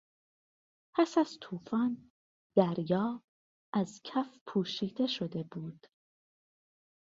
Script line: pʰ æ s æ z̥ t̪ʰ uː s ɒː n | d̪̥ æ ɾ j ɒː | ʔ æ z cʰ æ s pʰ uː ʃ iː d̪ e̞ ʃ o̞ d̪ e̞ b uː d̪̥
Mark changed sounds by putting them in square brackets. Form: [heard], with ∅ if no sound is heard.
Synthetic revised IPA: pʰ æ s æ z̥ t̪ʰ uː [f] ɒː n | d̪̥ æ ɾ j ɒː | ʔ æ z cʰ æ [f] pʰ uː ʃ iː d̪ e̞ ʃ o̞ d̪ e̞ b uː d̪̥